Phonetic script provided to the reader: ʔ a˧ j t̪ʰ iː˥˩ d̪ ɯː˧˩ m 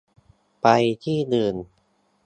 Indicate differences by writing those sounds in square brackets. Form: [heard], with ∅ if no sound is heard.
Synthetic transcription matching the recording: [p] a˧ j t̪ʰ iː˥˩ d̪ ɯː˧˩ [n]